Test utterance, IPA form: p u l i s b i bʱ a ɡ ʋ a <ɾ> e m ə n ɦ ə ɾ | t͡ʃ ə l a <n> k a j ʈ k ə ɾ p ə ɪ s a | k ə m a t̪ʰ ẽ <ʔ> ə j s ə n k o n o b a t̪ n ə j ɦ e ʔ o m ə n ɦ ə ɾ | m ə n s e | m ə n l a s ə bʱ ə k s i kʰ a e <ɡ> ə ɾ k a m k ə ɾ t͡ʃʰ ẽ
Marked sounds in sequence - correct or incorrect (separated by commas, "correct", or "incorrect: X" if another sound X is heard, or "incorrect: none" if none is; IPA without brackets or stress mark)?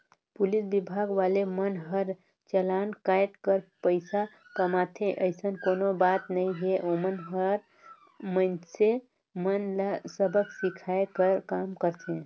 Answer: incorrect: l, correct, correct, incorrect: k